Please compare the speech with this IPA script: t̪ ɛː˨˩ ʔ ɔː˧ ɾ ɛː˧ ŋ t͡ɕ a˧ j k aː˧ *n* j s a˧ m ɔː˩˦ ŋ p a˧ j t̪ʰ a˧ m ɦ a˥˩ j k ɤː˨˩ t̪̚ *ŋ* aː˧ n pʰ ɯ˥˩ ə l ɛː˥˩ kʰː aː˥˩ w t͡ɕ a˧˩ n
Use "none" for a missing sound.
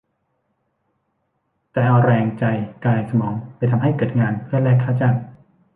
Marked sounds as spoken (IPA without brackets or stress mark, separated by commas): none, ŋ